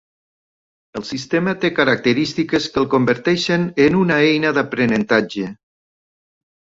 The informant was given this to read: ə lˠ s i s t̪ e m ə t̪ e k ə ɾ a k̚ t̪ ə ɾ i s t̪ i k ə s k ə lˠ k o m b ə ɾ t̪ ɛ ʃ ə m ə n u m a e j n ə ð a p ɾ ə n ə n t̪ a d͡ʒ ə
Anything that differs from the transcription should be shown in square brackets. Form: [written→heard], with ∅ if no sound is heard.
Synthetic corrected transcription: ə lˠ s i s t̪ e m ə t̪ e k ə ɾ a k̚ t̪ ə ɾ i s t̪ i k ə s k ə lˠ k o m b ə ɾ t̪ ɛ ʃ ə [m→n] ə n u [m→n] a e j n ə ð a p ɾ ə n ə n t̪ a d͡ʒ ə

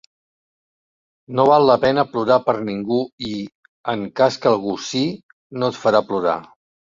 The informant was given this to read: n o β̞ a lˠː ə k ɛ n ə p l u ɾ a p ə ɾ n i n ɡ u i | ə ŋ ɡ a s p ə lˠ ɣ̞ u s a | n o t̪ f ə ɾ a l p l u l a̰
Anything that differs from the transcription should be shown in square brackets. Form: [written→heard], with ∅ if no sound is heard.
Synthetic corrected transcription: n o β̞ a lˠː ə [k→p] ɛ n ə p l u ɾ a p ə ɾ n i [n→ŋ] ɡ u i | ə ŋ [ɡ→k] a s [p→k] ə lˠ ɣ̞ u s [a→i] | n o t̪ f ə ɾ a [l→∅] p l u [l→ɾ] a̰

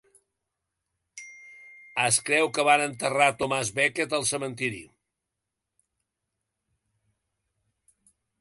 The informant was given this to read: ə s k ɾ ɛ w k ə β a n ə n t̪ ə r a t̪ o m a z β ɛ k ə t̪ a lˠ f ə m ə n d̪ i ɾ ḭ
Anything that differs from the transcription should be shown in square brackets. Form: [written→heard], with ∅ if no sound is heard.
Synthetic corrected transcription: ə s k ɾ ɛ w k ə β a n ə n t̪ ə r a t̪ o m a z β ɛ k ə t̪ [a→ə] lˠ [f→s] ə m ə n [d̪→t̪] i ɾ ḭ

